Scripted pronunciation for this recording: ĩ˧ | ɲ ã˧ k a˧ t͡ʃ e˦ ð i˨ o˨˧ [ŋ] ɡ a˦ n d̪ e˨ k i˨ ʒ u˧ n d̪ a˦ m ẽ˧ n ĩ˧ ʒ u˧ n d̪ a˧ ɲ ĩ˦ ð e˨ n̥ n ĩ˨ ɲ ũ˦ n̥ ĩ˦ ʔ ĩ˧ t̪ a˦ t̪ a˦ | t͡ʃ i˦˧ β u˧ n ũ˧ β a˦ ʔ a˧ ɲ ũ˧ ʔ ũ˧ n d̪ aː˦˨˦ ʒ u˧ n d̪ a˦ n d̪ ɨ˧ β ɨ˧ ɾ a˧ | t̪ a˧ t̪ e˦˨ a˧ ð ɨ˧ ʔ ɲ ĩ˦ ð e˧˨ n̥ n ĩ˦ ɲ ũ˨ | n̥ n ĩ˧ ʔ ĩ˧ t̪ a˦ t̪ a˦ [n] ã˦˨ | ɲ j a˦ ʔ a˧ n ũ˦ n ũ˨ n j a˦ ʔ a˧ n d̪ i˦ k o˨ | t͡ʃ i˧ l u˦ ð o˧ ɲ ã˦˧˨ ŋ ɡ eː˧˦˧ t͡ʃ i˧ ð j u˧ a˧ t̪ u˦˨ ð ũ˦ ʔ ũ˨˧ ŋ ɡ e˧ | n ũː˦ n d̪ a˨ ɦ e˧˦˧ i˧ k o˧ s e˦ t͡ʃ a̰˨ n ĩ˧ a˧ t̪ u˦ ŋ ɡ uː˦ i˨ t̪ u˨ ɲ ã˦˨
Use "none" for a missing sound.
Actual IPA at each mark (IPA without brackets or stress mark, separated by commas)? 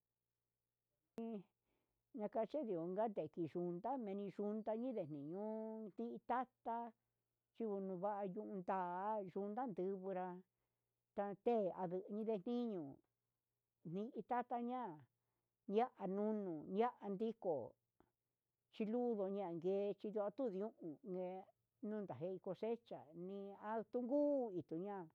ŋ, ɲ